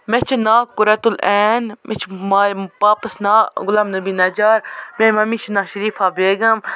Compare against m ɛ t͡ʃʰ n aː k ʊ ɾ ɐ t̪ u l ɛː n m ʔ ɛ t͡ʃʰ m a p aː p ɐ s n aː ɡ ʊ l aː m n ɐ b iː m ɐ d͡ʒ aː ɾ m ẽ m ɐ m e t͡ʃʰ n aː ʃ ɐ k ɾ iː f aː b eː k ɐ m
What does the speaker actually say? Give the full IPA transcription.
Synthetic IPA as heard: m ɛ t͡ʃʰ n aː k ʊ ɾ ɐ t̪ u l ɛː n m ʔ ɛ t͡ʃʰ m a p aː p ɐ s n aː ɡ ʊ l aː m n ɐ b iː n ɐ d͡ʒ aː ɾ m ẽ m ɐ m i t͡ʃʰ n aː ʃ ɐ ɾ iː f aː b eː ɡ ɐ m